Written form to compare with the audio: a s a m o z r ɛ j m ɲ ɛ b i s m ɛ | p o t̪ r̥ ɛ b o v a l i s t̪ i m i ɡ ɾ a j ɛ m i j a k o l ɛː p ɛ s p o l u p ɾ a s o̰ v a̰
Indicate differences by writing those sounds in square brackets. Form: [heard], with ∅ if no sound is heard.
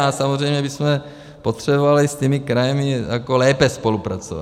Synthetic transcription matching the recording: a s a m o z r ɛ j m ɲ ɛ b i s m ɛ | p o t̪ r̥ ɛ b o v a l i s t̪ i m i [k] ɾ a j ɛ m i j a k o l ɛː p ɛ s p o l u p ɾ a [t͡s] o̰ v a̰